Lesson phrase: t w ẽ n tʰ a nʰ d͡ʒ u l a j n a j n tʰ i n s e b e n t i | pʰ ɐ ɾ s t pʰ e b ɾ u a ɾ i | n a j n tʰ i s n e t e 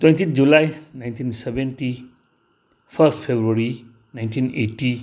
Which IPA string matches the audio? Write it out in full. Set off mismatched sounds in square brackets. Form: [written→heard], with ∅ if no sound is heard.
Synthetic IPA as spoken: t w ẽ n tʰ [a→i] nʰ d͡ʒ u l a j n a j n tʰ i n s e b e n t i | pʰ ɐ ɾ s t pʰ e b ɾ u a ɾ i | n a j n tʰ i [s→∅] n e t [e→i]